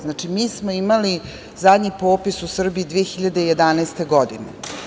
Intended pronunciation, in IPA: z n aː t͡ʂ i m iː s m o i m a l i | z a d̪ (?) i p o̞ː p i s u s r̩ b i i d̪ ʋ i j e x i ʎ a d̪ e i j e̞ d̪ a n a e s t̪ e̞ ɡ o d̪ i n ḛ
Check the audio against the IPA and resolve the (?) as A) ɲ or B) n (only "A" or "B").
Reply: A